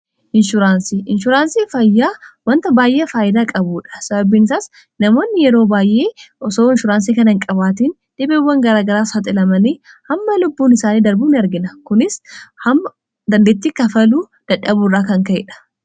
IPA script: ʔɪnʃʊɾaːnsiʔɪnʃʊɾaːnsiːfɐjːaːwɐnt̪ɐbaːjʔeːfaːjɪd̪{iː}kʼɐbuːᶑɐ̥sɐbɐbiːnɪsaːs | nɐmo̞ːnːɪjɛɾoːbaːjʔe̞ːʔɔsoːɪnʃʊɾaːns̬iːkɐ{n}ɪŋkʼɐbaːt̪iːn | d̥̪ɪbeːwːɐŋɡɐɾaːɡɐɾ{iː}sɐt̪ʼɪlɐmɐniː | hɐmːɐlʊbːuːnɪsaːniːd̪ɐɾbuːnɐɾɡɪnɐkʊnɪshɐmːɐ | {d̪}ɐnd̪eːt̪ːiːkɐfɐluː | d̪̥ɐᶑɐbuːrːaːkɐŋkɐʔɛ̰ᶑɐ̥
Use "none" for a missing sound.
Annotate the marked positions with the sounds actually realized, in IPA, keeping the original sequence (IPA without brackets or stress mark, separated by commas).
aː, n, aː, d̪